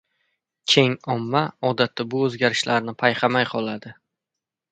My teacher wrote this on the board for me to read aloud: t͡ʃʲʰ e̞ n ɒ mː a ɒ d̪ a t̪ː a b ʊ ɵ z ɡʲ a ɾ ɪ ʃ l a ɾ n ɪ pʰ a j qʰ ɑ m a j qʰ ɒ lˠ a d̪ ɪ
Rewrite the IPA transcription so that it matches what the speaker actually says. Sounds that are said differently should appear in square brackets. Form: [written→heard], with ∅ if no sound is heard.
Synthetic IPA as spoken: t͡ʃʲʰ e̞ [n→ŋ] ɒ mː a ɒ d̪ a t̪ː a b ʊ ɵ z ɡʲ a ɾ ɪ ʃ l a ɾ n ɪ pʰ a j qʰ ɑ m a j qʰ ɒ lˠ a d̪ ɪ

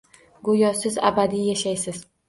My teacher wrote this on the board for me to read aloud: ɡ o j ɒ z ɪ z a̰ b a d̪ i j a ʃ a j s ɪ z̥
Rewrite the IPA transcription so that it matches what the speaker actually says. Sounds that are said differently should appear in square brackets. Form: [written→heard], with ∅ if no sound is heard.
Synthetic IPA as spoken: ɡ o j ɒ [z→s] ɪ z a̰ b a d̪ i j a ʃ a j s ɪ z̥

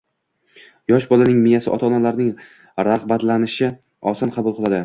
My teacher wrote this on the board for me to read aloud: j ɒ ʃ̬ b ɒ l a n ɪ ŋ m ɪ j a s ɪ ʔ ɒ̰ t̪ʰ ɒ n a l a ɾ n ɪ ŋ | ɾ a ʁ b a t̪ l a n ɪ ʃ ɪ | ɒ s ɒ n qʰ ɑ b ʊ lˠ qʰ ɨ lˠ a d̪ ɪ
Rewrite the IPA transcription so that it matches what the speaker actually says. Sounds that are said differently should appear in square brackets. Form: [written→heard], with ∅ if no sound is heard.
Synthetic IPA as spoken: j ɒ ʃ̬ b ɒ l a n ɪ ŋ m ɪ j a s ɪ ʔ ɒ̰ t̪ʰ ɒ n a l a ɾ n ɪ ŋ | ɾ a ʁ b a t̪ l a n ɪ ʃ ɪ | ɒ s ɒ n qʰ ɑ b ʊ lˠ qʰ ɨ lˠ a d̪ ɪ

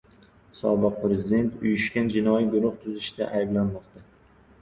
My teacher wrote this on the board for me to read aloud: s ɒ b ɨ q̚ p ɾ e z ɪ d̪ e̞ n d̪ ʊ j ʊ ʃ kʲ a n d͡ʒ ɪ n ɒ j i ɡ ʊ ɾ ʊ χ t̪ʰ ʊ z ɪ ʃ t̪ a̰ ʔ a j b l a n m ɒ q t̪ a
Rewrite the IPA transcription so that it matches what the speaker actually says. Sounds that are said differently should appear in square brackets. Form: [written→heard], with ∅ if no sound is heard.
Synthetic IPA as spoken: s ɒ b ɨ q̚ p ɾ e z ɪ d̪ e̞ n [d̪→t̪] ʊ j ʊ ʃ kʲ a n d͡ʒ ɪ n ɒ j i ɡ ʊ ɾ ʊ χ t̪ʰ ʊ z ɪ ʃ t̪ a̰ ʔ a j b l a n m ɒ q t̪ a

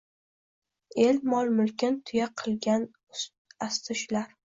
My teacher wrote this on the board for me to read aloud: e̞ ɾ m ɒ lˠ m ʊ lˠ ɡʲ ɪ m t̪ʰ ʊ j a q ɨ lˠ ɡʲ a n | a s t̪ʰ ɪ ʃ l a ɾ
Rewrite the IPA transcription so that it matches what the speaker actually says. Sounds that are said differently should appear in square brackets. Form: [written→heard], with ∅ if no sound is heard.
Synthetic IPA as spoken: e̞ [ɾ→l] m ɒ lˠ m ʊ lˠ [ɡʲ→kʲ] ɪ [m→n] t̪ʰ ʊ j a [q→qʰ] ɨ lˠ ɡʲ a n | a s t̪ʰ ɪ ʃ l a ɾ

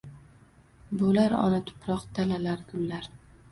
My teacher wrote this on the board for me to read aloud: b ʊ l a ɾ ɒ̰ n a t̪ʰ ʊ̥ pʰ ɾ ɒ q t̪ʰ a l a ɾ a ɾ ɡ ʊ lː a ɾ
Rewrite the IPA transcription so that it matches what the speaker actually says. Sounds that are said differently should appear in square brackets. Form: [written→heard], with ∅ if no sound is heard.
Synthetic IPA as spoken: b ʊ l a ɾ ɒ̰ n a t̪ʰ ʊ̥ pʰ ɾ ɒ q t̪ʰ a l a [ɾ→l] a ɾ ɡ ʊ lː a ɾ

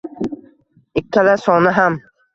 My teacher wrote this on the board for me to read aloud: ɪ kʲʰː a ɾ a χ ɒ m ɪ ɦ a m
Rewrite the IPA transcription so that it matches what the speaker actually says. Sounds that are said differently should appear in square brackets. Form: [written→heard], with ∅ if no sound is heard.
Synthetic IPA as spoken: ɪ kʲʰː a [ɾ→l] a [χ→s] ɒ [m→n] ɪ ɦ a m

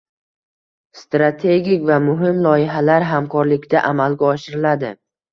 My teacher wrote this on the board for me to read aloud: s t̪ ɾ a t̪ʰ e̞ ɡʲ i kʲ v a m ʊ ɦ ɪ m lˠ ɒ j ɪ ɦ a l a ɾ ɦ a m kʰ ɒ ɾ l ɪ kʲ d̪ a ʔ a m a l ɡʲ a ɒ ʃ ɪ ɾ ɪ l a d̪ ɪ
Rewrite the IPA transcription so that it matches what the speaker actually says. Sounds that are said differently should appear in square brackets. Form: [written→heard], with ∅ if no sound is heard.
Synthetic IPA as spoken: s t̪ ɾ a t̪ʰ e̞ ɡʲ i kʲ v a m ʊ ɦ ɪ m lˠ ɒ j ɪ ɦ a l a ɾ ɦ a m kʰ ɒ ɾ l ɪ kʲ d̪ a ʔ a m a l ɡʲ a ɒ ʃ ɪ ɾ ɪ l a d̪ ɪ

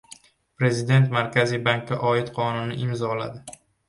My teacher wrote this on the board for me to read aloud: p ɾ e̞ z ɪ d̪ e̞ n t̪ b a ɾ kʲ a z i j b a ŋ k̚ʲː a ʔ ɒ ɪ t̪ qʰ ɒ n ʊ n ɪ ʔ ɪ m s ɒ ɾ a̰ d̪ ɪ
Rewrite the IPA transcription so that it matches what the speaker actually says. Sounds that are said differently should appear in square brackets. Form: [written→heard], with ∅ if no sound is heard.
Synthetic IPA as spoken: p ɾ e̞ z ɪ d̪ e̞ n t̪ [b→m] a ɾ kʲ a z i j b a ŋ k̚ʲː a ʔ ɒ ɪ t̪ qʰ ɒ n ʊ n ɪ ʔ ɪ m [s→z] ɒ [ɾ→l] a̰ d̪ ɪ

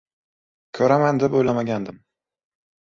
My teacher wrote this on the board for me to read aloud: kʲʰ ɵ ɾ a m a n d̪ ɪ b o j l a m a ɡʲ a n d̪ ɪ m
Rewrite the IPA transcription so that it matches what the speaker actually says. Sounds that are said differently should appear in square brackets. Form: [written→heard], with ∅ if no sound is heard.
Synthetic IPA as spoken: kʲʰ ɵ ɾ a m a n d̪ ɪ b o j l a m a ɡʲ a n d̪ ɪ m

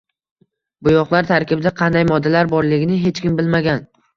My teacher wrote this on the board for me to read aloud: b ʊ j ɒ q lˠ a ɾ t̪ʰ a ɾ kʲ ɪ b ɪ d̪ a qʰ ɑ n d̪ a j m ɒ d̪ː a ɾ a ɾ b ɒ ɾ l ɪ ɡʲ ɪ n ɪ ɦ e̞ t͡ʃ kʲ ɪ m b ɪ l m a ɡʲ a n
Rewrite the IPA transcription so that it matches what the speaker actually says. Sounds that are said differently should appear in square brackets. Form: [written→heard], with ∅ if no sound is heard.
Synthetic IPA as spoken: b ʊ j ɒ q lˠ a ɾ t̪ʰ a ɾ kʲ ɪ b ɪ d̪ a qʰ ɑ n d̪ a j m ɒ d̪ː a [ɾ→l] a ɾ b ɒ ɾ l ɪ ɡʲ ɪ n ɪ ɦ e̞ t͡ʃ kʲ ɪ m b ɪ l m a ɡʲ a n

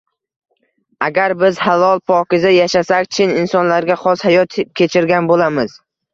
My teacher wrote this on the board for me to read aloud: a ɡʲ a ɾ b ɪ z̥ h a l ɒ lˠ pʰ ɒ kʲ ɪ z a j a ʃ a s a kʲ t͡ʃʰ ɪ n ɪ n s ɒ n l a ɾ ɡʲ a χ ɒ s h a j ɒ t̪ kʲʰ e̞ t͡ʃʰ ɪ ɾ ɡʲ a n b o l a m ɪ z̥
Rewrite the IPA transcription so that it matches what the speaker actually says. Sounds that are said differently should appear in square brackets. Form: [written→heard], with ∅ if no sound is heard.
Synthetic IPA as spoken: a ɡʲ a ɾ b ɪ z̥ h a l ɒ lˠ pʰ ɒ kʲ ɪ z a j a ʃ a s a kʲ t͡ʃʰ ɪ n ɪ n s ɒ n l a ɾ ɡʲ a χ ɒ s h a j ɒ t̪ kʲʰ e̞ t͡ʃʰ ɪ ɾ ɡʲ a n b o l a m ɪ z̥

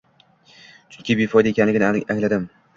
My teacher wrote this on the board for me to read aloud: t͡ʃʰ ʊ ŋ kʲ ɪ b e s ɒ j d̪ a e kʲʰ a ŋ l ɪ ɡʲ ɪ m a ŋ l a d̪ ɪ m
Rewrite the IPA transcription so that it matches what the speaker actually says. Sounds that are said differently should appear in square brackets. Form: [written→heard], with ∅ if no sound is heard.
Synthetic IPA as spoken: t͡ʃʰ ʊ ŋ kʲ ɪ b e [s→f] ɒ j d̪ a e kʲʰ a [ŋ→n] l ɪ ɡʲ ɪ [m→n] a ŋ l a d̪ ɪ m

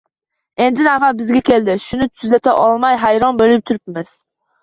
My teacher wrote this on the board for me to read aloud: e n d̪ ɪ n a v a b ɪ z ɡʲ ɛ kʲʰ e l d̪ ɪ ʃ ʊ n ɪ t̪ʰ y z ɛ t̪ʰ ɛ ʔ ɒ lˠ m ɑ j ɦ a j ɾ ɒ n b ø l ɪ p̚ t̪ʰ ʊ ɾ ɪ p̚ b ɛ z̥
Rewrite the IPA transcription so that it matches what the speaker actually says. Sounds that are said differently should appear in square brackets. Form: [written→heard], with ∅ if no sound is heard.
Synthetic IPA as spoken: e n d̪ ɪ n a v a b ɪ z ɡʲ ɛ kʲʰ e l d̪ ɪ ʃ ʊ n ɪ t̪ʰ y z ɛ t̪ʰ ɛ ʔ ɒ lˠ m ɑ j ɦ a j ɾ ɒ n b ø l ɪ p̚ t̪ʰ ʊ ɾ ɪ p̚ [b→m] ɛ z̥

